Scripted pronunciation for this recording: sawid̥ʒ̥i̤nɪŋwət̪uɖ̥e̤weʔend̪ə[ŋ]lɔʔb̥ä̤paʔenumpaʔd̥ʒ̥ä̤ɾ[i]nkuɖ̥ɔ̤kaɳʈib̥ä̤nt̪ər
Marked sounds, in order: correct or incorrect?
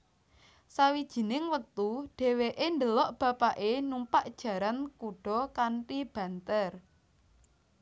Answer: incorrect: none, incorrect: a

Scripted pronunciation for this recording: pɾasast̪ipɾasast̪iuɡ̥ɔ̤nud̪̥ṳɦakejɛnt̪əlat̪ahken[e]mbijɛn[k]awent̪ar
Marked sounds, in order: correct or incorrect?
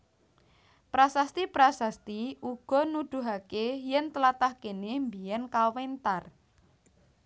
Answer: correct, correct

